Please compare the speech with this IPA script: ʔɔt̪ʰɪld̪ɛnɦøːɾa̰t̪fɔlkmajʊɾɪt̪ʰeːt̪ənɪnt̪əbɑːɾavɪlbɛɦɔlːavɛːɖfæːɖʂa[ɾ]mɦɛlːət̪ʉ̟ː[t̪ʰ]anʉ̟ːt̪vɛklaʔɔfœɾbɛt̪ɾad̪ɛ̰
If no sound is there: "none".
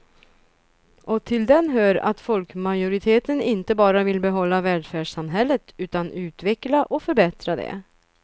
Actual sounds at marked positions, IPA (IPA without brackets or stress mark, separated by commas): none, t̪